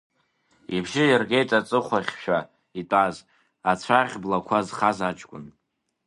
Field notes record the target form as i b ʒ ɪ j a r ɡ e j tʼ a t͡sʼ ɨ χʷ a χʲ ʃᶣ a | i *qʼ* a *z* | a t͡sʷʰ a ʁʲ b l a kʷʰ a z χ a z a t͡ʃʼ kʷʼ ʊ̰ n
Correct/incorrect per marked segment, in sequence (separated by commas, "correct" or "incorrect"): incorrect, correct